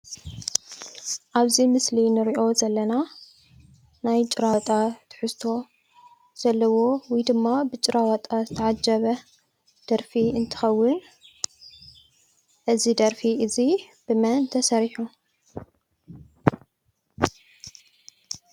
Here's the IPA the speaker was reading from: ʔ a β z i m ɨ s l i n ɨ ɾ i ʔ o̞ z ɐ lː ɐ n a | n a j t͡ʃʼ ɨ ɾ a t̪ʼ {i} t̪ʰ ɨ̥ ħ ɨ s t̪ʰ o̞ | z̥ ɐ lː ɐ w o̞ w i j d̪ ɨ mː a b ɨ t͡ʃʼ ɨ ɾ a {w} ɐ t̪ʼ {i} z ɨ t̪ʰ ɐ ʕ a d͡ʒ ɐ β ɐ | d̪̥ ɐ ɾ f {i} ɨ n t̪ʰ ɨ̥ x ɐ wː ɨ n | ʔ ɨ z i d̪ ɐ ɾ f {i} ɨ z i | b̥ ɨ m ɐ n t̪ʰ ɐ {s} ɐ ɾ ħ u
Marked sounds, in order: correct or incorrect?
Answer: incorrect, correct, incorrect, correct, correct, correct

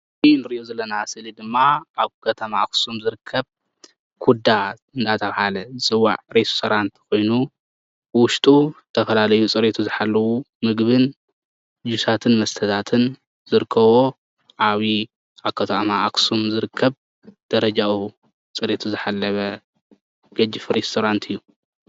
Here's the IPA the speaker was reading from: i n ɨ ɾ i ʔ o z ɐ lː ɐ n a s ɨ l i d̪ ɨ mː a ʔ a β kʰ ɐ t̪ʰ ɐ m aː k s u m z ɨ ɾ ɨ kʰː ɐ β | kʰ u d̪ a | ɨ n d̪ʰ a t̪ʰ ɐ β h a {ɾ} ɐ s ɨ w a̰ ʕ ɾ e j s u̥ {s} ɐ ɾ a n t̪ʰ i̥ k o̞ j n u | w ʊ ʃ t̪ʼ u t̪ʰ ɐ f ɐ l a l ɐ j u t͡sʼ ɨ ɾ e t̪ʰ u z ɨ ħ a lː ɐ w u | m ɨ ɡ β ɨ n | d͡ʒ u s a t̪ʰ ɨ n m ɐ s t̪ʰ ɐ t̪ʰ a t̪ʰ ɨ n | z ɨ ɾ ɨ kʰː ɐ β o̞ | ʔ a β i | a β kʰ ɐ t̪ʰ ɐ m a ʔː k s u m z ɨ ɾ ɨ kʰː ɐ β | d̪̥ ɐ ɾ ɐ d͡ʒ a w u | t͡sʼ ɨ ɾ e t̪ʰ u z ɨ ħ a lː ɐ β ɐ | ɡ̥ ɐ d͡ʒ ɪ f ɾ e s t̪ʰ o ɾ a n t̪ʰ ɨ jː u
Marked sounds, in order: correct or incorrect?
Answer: incorrect, correct

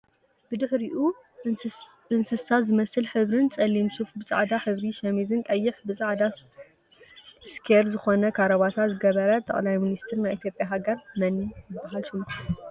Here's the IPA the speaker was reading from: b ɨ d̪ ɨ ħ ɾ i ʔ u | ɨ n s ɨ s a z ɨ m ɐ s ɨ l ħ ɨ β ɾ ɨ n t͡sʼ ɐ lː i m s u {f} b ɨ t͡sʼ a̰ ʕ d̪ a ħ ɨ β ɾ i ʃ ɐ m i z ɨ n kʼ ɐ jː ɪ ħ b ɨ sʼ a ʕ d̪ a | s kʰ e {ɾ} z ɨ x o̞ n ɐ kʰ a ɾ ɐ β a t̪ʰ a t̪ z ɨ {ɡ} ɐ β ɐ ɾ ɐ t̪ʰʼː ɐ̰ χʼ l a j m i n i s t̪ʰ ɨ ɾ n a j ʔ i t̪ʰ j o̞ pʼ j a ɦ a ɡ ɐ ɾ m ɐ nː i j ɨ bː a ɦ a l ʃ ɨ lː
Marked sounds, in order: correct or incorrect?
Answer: correct, correct, correct

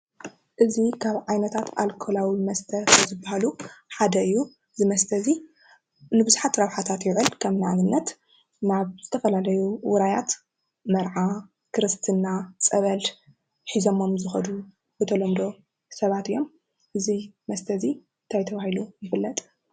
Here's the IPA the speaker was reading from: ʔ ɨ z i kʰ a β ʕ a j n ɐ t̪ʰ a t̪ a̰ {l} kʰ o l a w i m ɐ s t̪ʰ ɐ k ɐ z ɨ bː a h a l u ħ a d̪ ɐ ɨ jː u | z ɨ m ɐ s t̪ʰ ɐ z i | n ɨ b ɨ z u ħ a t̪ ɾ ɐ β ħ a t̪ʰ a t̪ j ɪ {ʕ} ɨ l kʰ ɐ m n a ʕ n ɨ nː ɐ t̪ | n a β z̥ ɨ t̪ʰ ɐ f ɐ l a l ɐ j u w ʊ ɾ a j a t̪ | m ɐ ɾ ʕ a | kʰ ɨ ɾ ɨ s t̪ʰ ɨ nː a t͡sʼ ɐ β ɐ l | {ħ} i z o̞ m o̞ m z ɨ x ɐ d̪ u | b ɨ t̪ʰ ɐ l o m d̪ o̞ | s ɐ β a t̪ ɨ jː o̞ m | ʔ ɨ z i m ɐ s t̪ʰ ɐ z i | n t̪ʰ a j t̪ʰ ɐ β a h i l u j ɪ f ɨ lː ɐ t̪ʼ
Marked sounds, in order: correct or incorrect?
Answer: correct, correct, correct

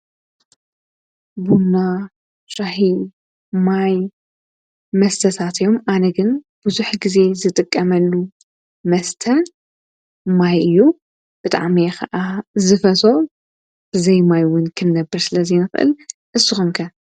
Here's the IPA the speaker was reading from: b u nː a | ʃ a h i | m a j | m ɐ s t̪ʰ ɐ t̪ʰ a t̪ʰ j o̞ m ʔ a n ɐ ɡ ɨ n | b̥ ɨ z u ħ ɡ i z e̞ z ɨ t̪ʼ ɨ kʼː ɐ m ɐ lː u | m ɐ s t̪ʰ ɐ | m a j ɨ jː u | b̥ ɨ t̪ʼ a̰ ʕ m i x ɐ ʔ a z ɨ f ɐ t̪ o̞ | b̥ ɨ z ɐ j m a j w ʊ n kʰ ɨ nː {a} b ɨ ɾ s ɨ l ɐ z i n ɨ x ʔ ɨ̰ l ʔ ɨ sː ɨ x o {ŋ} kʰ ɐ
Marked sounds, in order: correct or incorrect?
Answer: incorrect, incorrect

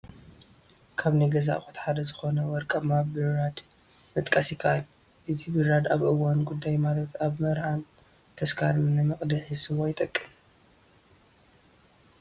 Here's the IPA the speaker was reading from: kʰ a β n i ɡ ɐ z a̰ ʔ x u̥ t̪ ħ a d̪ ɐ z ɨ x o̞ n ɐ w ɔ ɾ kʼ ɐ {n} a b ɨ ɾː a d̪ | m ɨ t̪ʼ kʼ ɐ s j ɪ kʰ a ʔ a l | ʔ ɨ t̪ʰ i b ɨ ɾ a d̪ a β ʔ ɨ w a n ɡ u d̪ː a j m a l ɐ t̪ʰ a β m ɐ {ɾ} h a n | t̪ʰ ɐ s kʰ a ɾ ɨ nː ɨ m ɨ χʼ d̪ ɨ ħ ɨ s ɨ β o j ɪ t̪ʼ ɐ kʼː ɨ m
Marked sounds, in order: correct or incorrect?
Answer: incorrect, correct

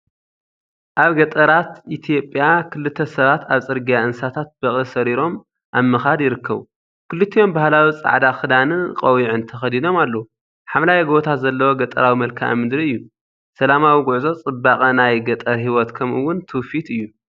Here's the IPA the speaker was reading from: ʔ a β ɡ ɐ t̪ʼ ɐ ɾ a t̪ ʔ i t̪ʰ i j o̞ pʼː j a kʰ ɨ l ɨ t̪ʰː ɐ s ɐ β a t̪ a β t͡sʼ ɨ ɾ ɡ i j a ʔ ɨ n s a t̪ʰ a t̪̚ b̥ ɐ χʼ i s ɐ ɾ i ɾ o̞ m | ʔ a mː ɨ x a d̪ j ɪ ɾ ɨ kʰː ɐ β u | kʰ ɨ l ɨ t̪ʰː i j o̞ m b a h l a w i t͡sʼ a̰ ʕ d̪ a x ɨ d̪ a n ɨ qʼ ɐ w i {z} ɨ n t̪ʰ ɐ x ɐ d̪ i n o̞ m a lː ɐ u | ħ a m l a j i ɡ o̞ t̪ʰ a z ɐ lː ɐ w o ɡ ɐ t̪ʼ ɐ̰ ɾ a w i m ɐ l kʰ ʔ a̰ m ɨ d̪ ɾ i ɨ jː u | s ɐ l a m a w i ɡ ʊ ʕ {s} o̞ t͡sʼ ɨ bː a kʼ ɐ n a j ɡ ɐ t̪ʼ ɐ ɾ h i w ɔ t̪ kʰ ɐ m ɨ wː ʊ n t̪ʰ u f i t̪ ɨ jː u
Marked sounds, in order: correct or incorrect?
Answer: incorrect, incorrect

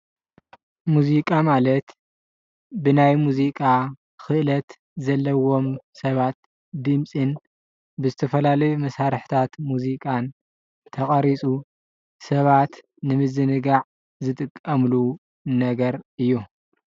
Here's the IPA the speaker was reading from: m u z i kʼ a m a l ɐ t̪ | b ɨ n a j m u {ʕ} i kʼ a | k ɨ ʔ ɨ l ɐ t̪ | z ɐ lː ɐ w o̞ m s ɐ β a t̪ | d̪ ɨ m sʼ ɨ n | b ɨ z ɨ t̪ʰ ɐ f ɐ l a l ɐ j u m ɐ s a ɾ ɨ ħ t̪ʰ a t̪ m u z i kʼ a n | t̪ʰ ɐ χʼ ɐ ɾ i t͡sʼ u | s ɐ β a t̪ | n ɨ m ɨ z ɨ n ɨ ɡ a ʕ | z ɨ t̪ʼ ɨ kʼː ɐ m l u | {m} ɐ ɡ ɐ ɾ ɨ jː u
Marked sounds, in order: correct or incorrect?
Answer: incorrect, incorrect

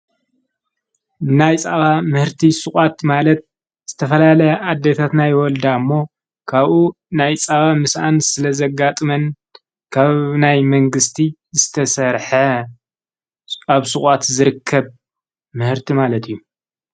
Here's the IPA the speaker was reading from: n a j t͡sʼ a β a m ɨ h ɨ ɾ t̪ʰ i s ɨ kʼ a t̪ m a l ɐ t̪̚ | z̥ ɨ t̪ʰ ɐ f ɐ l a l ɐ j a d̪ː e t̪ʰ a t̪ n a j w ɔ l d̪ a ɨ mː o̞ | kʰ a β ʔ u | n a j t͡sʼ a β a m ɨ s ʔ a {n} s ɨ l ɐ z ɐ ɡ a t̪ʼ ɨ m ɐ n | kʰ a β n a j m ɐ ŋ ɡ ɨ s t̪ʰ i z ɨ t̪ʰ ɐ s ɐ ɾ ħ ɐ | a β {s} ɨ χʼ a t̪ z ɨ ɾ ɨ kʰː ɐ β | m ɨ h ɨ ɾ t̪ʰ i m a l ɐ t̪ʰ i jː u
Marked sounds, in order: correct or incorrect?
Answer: correct, correct

